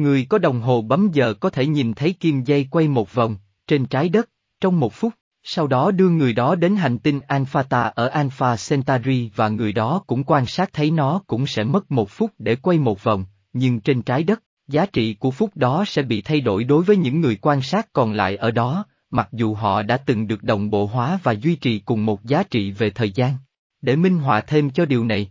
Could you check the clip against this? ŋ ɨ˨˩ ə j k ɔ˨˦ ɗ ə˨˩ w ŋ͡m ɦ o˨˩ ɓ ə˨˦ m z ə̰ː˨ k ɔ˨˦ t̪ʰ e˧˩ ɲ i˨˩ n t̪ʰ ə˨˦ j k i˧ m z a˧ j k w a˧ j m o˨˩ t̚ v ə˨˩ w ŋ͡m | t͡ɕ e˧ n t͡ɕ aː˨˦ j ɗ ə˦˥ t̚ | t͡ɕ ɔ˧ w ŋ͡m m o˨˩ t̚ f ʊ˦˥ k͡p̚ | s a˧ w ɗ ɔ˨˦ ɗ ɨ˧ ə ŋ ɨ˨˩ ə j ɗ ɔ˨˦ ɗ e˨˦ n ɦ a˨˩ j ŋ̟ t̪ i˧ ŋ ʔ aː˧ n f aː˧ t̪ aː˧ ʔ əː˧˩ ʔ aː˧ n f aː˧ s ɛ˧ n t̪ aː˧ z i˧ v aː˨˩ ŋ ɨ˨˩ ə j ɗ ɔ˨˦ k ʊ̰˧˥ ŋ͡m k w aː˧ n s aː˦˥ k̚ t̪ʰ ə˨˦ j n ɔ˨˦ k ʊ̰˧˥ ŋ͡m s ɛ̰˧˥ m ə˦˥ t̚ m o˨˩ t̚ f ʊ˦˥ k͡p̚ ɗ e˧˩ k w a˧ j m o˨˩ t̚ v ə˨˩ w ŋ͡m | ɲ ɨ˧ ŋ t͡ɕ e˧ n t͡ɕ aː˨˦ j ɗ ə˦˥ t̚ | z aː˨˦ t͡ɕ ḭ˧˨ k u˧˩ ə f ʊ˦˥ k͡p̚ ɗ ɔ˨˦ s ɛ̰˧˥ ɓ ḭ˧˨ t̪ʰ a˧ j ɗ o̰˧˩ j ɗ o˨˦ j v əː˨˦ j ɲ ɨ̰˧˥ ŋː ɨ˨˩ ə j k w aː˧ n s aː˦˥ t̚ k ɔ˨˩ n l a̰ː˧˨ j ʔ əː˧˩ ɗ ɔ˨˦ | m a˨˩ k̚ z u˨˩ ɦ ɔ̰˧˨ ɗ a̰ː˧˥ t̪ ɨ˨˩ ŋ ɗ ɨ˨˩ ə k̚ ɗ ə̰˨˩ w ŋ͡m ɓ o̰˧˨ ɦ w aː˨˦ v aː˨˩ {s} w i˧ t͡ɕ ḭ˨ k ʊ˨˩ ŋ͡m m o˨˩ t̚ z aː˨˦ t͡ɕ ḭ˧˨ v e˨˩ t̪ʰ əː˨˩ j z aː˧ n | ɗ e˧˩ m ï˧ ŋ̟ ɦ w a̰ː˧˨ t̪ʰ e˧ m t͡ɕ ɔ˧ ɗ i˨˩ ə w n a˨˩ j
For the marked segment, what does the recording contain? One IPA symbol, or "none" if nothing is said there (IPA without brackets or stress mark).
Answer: z